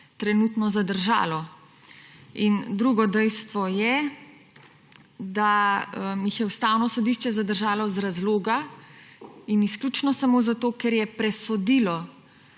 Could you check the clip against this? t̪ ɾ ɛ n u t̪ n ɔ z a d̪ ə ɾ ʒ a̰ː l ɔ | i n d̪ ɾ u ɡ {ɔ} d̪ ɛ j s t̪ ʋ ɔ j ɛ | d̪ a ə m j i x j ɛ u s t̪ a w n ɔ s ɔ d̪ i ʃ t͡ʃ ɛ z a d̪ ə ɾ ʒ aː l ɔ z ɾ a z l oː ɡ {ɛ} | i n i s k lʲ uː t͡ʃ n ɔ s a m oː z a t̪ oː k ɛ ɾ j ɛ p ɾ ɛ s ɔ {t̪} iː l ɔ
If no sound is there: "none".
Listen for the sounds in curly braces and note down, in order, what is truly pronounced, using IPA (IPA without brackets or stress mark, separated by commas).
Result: ɔ, a, d̪